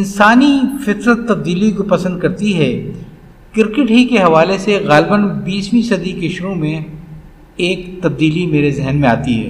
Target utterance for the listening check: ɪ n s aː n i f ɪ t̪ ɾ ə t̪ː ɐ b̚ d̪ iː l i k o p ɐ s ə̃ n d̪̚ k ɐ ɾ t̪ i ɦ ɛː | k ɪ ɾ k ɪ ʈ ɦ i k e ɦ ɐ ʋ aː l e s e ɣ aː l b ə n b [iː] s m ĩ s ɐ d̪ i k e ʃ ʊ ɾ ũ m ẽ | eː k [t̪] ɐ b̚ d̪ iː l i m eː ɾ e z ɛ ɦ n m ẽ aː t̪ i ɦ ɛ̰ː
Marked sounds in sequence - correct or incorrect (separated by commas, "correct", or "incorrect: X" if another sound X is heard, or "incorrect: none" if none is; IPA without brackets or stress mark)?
correct, correct